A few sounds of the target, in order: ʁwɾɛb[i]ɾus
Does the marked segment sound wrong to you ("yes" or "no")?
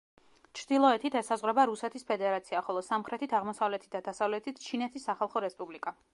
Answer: yes